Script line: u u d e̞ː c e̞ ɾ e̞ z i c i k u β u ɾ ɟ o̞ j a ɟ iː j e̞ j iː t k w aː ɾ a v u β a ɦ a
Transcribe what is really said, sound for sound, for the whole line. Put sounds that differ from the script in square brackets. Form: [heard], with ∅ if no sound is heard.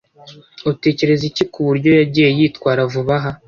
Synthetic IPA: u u [t] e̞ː c e̞ ɾ e̞ z i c i k u β u ɾ ɟ o̞ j a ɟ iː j e̞ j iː t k w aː ɾ a v u β a ɦ a